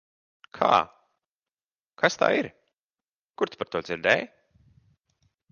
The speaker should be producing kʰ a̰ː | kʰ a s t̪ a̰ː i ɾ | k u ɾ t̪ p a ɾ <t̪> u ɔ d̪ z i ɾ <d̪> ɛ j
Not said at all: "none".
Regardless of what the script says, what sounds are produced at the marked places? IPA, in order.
t̪, d̪

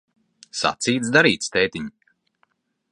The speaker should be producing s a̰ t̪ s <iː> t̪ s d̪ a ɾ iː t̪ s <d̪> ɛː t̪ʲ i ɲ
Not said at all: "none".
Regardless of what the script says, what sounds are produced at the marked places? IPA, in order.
iː, t̪

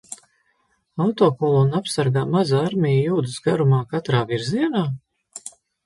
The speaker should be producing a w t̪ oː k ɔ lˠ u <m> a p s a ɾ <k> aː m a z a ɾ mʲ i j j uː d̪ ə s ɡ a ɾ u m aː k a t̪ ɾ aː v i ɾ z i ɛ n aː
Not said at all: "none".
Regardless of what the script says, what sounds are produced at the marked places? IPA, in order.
n, ɡ

